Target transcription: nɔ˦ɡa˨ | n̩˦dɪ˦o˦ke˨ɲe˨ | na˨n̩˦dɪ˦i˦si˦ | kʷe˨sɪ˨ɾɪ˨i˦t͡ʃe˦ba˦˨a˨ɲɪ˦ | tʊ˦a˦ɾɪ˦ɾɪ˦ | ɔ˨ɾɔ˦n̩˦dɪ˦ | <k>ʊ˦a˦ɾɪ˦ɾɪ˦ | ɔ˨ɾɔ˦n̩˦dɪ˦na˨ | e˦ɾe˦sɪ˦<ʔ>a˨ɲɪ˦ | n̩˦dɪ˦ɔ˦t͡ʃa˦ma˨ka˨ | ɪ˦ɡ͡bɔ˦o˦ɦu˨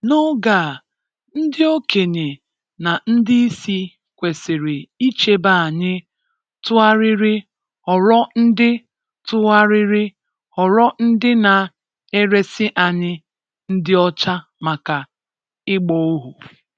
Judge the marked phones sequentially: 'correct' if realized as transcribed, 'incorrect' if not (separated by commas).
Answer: incorrect, correct